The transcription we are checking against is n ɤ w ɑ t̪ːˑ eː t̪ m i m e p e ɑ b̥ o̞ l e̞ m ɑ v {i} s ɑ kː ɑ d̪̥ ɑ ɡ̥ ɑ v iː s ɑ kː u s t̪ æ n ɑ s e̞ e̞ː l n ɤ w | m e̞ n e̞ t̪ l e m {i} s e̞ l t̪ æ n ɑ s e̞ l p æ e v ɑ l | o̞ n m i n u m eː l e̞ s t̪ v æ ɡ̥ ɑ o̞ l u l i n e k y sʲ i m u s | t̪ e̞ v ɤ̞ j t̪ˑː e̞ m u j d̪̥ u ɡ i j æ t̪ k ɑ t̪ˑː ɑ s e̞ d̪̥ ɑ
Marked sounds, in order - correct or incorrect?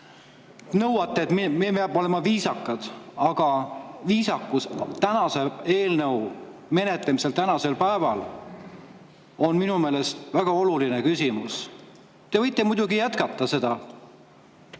incorrect: iː, correct

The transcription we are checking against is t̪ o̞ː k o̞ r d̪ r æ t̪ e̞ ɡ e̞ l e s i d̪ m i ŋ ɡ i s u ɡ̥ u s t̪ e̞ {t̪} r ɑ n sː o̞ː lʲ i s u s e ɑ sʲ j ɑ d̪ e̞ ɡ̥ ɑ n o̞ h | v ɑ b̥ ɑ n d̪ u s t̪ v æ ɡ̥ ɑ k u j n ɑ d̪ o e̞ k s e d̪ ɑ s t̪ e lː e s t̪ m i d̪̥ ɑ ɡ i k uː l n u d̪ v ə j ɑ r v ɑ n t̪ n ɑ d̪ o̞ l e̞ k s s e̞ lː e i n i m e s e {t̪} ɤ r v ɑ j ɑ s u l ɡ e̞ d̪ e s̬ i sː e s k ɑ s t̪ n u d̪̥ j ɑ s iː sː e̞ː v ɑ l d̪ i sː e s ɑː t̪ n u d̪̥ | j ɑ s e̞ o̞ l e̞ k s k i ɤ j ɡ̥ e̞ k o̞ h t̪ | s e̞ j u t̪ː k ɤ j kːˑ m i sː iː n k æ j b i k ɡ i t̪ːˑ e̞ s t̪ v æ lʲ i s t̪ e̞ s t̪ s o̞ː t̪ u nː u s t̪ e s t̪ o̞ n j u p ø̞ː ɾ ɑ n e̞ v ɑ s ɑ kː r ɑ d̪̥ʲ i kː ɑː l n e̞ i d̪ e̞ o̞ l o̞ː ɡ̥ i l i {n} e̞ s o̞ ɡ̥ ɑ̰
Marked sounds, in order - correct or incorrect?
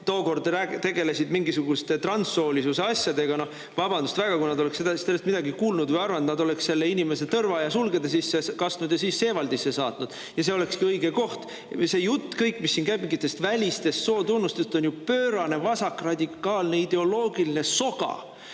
correct, correct, correct

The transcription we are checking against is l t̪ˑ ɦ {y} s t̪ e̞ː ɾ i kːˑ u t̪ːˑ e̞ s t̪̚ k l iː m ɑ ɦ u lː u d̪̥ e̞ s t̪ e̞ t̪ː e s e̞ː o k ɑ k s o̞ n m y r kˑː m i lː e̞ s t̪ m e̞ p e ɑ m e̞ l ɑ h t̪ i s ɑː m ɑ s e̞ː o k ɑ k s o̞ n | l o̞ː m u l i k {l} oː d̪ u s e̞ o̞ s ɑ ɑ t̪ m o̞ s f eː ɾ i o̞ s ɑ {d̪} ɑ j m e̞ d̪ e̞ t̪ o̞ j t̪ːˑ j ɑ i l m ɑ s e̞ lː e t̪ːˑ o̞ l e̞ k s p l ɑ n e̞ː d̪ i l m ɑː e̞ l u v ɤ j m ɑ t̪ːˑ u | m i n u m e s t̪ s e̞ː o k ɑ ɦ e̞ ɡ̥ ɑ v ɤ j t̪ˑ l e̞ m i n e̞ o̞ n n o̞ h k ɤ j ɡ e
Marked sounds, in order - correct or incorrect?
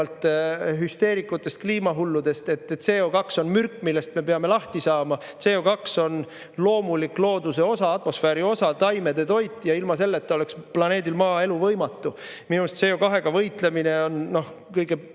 correct, correct, incorrect: t̪

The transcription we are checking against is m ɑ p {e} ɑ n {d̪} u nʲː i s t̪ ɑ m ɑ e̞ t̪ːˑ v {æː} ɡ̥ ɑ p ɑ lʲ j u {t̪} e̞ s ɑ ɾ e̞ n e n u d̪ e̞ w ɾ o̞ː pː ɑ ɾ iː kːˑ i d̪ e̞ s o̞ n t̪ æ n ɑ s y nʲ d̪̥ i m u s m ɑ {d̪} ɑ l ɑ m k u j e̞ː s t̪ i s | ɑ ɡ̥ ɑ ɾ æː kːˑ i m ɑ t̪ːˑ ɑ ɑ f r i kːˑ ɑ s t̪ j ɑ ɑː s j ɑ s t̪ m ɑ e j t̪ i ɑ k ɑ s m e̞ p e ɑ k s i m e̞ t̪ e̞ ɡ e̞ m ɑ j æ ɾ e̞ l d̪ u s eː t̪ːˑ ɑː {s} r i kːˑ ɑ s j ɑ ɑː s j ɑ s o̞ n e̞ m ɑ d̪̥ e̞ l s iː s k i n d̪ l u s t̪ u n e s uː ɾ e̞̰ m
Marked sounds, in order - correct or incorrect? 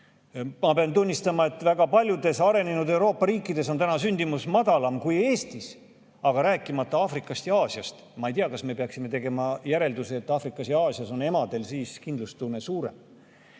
correct, incorrect: t̪, incorrect: æ, incorrect: d̪, correct, incorrect: f

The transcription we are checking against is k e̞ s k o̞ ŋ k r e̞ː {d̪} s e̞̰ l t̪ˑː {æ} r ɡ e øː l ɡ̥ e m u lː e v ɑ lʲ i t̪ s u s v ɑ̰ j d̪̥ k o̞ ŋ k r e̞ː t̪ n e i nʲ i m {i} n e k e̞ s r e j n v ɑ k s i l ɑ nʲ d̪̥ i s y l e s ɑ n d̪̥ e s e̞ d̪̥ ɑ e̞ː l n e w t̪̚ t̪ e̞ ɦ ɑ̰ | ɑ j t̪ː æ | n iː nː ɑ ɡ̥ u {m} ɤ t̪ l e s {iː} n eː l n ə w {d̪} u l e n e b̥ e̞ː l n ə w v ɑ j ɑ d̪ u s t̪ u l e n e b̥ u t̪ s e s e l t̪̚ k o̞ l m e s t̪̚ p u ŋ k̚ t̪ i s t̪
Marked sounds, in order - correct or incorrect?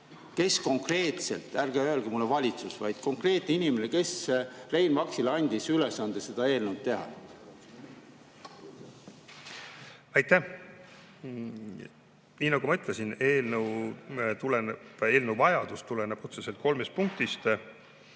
incorrect: t̪, correct, incorrect: e, correct, incorrect: i, incorrect: t̪

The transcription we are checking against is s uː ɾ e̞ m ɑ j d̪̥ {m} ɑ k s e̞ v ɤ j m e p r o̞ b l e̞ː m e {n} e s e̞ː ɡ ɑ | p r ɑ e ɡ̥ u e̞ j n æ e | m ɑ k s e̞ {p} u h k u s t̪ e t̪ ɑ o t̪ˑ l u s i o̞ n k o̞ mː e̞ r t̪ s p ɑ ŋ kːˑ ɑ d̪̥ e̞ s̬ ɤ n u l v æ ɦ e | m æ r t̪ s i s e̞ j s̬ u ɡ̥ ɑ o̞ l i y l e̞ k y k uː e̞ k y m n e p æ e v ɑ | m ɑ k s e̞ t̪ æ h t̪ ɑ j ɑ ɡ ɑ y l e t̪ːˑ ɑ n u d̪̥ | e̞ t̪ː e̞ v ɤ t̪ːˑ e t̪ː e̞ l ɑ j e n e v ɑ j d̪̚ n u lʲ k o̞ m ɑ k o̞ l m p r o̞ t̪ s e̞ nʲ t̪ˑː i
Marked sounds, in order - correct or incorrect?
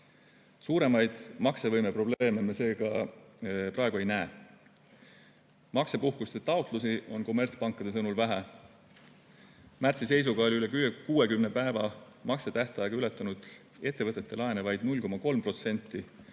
correct, incorrect: m, correct

